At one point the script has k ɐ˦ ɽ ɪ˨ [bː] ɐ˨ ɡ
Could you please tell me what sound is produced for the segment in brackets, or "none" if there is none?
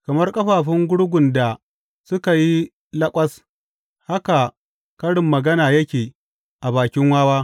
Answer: mː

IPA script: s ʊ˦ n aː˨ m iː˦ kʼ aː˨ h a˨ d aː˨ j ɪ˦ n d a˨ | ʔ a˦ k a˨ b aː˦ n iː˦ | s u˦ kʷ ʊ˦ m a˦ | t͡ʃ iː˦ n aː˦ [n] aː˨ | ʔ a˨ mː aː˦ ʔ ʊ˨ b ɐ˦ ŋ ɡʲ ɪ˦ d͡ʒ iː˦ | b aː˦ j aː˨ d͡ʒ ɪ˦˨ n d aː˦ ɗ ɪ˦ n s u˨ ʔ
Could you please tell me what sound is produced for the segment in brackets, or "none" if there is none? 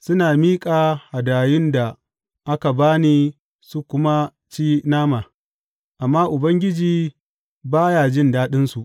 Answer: m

